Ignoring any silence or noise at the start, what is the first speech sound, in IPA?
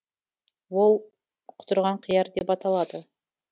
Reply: w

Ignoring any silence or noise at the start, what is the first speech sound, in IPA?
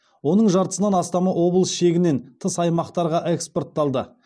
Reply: w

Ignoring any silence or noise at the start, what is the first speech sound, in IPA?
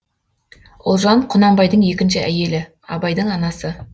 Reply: ʊ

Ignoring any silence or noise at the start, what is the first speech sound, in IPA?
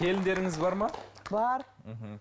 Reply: e̞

